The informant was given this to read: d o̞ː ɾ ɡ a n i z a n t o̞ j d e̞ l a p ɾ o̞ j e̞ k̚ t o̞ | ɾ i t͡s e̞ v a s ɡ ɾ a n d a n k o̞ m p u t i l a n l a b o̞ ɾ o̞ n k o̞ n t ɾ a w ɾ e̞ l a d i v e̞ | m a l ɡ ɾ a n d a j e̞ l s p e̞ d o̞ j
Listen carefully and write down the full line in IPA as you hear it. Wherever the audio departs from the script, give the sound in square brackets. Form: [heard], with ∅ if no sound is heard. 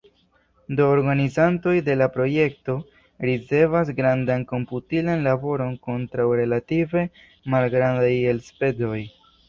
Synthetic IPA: d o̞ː ɾ ɡ a n i z a n t o̞ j d e̞ l a p ɾ o̞ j e̞ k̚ t o̞ | ɾ i t͡s e̞ v a s ɡ ɾ a n d a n k o̞ m p u t i l a n l a b o̞ ɾ o̞ n k o̞ n t ɾ a w ɾ e̞ l a [t] i v e̞ | m a l ɡ ɾ a n d a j e̞ l s p e̞ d o̞ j